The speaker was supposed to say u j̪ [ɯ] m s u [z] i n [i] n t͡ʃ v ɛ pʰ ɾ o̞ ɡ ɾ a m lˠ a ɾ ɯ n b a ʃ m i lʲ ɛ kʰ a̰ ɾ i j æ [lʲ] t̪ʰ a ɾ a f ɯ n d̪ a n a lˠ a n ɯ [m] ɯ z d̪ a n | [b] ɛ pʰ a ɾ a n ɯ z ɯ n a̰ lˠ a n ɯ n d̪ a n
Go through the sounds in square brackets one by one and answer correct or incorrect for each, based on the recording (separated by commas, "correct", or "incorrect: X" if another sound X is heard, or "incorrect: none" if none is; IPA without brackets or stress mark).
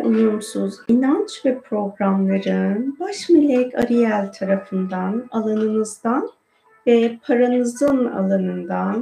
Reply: incorrect: u, correct, incorrect: a, correct, incorrect: n, incorrect: v